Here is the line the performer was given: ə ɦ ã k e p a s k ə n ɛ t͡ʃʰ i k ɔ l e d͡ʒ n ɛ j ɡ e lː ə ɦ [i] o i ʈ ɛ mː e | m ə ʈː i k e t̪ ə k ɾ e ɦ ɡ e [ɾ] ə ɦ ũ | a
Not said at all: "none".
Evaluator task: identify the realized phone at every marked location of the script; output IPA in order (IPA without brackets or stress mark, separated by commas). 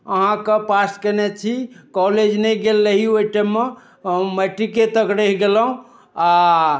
i, l